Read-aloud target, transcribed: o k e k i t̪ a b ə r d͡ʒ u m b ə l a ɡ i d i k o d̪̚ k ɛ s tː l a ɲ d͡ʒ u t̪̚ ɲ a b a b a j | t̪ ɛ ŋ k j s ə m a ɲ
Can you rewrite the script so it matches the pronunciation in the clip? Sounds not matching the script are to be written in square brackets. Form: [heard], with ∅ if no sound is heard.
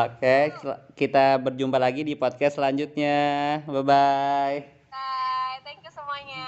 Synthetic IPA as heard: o k e k i t̪ a b ə r d͡ʒ u m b [a] l a ɡ i d i [p] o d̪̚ k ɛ s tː l a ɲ d͡ʒ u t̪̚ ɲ a b a b a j | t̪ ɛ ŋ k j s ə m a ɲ